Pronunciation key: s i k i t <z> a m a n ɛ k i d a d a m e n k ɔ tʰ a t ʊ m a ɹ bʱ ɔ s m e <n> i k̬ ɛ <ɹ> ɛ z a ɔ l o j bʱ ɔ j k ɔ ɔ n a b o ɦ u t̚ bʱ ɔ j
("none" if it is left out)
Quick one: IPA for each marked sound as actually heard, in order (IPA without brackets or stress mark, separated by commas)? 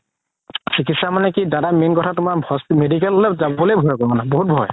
s, d, l